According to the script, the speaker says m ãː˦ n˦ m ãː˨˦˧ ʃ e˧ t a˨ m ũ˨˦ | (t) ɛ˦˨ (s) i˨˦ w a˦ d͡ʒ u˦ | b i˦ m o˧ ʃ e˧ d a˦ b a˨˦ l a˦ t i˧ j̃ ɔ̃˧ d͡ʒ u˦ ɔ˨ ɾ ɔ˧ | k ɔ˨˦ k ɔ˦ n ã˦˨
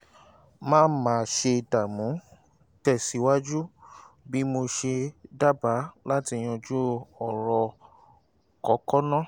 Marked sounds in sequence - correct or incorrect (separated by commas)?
correct, correct